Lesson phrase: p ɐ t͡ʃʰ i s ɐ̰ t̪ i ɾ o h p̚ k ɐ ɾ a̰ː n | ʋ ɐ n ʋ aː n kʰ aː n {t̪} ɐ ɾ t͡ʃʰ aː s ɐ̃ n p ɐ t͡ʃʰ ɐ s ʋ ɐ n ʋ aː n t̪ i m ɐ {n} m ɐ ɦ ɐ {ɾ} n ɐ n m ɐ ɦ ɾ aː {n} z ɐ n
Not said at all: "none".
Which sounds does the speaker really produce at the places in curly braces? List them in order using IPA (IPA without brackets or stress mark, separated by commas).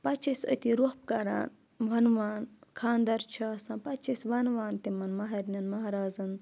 d̪, n, ɾ, none